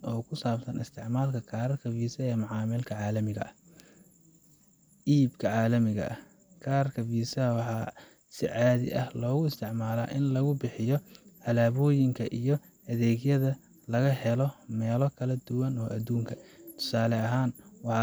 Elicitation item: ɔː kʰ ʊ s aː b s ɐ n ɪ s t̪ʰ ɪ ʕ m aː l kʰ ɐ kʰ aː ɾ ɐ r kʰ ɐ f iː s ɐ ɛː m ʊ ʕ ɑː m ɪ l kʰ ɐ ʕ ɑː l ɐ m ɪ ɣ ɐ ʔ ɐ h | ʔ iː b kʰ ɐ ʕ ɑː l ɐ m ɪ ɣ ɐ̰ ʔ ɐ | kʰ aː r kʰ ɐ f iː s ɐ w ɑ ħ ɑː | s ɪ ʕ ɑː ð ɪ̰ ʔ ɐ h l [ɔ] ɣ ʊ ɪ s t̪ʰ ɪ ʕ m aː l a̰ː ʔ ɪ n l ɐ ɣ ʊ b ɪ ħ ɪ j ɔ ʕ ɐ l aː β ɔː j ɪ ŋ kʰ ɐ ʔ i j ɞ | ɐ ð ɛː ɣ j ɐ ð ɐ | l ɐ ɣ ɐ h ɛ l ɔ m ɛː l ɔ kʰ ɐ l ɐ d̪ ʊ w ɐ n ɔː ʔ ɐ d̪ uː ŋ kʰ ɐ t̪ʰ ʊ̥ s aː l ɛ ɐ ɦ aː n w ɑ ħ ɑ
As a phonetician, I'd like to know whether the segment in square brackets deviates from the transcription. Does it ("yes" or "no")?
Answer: yes